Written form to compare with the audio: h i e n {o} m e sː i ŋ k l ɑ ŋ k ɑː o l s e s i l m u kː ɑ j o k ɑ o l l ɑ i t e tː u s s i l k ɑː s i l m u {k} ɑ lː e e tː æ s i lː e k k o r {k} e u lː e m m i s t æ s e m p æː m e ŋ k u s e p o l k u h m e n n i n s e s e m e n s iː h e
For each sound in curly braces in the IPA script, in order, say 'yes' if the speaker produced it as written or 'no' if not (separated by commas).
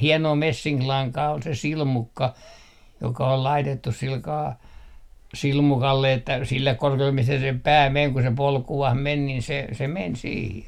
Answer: no, yes, yes